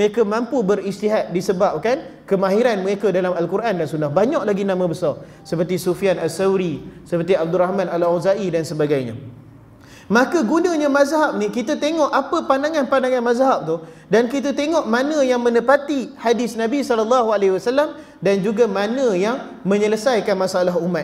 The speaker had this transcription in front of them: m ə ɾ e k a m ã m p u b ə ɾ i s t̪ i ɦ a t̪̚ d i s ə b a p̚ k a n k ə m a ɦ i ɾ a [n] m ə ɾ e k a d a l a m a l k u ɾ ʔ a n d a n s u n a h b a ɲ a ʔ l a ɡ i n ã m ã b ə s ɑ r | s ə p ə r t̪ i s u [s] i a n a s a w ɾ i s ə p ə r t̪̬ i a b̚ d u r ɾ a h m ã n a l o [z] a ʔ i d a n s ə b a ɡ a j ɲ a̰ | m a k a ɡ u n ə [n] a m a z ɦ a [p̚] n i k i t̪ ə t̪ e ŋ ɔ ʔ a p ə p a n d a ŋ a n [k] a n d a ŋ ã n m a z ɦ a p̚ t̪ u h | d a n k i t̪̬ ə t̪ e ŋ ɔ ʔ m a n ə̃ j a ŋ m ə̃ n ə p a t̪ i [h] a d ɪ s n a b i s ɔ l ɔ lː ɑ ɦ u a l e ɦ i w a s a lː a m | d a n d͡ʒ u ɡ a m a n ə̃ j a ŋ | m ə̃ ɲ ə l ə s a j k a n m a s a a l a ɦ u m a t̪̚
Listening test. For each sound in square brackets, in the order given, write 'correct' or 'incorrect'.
correct, incorrect, correct, incorrect, correct, incorrect, correct

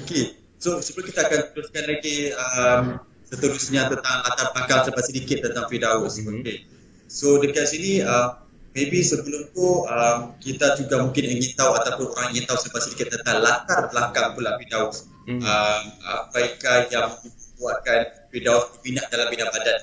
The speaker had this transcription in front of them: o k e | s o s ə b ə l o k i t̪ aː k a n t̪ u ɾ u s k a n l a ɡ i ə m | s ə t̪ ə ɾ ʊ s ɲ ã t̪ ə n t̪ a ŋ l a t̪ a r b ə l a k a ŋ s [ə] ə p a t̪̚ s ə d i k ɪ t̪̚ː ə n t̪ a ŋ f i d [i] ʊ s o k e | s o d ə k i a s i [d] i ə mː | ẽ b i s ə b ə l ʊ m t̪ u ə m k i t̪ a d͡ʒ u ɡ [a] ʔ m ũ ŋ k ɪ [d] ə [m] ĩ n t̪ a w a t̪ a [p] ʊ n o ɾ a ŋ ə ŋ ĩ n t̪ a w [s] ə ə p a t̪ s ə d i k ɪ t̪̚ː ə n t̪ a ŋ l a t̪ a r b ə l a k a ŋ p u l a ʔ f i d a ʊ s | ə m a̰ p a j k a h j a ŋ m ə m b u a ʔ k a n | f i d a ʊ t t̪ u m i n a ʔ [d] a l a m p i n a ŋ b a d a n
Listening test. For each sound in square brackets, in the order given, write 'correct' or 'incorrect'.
correct, incorrect, incorrect, correct, incorrect, incorrect, correct, correct, correct

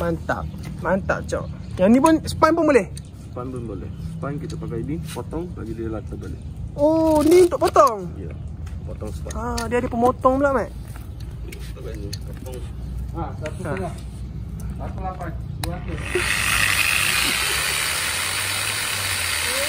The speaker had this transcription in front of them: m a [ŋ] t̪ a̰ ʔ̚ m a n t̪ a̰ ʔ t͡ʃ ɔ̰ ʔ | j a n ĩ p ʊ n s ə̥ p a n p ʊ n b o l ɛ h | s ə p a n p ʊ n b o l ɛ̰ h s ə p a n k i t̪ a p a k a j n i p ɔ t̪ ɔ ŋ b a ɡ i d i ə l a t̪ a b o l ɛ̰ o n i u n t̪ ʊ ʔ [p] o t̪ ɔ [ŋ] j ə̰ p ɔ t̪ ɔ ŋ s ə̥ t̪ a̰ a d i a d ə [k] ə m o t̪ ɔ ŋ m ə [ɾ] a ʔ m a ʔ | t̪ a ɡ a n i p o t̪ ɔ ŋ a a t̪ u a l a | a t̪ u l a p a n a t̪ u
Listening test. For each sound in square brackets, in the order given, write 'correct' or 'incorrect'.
incorrect, correct, correct, incorrect, incorrect

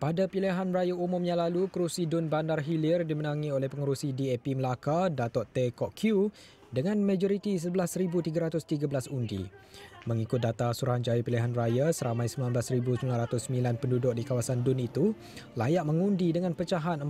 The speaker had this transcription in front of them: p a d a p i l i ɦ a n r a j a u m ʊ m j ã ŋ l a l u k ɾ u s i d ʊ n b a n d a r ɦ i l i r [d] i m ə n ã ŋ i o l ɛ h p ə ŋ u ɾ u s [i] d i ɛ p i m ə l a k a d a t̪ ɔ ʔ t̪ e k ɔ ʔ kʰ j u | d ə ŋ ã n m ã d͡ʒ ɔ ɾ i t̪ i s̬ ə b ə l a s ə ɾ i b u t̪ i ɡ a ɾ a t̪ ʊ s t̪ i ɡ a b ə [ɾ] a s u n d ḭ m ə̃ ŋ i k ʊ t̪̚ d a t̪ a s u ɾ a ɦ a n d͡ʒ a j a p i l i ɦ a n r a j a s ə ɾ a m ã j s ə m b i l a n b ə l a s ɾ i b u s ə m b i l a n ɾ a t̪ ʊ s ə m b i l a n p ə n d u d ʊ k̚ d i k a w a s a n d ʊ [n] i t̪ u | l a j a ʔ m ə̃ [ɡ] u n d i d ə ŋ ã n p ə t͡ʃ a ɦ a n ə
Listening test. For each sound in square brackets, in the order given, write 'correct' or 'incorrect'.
correct, correct, incorrect, correct, incorrect

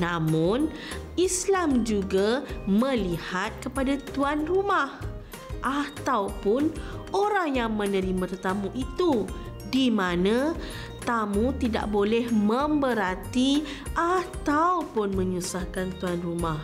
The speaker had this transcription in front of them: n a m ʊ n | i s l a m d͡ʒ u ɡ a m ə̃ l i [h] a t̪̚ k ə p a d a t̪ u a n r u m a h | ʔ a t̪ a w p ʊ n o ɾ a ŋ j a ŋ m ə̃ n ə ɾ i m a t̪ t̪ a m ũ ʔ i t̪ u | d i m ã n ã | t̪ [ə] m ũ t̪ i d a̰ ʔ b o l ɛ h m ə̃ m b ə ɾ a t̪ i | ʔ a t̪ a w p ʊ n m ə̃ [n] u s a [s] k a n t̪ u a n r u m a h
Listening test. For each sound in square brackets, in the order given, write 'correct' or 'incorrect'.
correct, incorrect, incorrect, incorrect

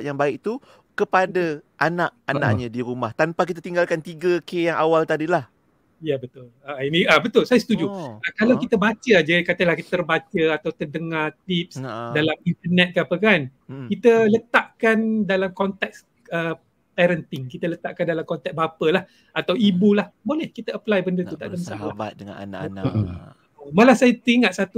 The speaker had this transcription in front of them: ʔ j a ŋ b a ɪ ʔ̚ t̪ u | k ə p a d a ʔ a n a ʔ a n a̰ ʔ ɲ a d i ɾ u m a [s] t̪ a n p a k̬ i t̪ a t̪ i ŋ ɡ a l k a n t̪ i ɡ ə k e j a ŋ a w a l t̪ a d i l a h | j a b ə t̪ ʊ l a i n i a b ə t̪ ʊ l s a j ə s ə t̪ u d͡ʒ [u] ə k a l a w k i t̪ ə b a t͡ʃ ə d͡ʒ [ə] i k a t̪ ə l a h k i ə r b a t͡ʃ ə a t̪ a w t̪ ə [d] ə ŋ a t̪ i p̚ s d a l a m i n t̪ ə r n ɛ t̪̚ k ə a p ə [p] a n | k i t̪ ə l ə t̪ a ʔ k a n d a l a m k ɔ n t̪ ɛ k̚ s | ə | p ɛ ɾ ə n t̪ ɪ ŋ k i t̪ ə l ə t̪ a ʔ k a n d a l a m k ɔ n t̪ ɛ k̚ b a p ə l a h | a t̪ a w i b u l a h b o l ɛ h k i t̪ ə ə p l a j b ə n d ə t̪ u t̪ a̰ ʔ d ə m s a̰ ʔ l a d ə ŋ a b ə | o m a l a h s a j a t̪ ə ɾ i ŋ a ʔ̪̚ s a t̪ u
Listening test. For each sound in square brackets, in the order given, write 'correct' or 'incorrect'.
incorrect, correct, incorrect, correct, incorrect

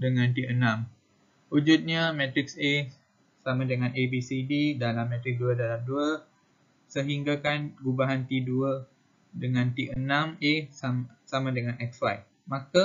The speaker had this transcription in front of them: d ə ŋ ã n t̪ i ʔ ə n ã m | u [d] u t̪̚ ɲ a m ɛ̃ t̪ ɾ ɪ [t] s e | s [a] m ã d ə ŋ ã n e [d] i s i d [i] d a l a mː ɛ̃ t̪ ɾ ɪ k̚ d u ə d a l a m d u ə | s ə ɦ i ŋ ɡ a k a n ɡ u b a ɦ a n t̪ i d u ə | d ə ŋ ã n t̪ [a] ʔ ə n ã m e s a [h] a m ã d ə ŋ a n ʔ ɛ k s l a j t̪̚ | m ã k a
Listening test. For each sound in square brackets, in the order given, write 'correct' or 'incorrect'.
incorrect, incorrect, correct, incorrect, correct, incorrect, incorrect

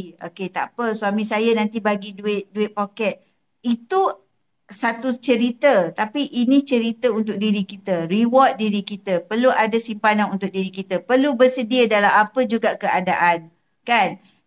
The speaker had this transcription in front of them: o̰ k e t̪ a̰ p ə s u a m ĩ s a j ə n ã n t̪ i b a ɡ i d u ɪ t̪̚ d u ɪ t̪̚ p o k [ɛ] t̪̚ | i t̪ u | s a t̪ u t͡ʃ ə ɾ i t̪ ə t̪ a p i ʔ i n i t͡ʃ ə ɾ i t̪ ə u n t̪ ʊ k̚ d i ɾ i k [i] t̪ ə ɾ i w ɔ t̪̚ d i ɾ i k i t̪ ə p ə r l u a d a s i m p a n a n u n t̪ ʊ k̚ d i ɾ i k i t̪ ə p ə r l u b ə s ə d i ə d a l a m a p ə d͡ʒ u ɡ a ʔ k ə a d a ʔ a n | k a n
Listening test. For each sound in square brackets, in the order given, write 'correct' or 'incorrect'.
correct, correct

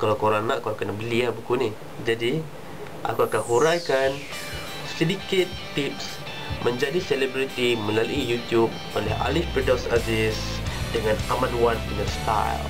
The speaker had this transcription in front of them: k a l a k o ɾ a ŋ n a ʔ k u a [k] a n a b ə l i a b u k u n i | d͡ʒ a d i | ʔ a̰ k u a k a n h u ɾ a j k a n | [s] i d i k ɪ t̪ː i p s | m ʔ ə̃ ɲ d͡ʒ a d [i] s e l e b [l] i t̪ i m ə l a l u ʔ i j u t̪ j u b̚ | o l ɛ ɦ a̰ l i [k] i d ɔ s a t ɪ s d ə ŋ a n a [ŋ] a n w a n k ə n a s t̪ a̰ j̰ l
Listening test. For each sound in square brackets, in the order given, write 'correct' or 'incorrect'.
correct, correct, correct, incorrect, incorrect, incorrect

